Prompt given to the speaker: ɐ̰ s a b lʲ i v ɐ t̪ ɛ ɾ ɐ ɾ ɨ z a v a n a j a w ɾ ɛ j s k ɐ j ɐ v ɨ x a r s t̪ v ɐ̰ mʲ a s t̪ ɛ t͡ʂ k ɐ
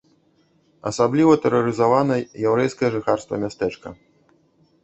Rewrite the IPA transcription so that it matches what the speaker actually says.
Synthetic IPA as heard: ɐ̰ s a b lʲ i v ɐ t̪ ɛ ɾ ɐ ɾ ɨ z a v a n ɐ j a w ɾ ɛ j s k ɐ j ɐ ʐ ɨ x a r s t̪ v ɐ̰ mʲ a s t̪ ɛ t͡ʂ k ɐ